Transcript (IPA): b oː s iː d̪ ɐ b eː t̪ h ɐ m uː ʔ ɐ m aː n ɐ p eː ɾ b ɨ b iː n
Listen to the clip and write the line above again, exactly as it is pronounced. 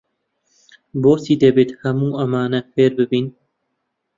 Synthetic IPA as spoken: b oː s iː d̪ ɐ b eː t̪ h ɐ m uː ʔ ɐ m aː n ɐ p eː ɾ b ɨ b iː n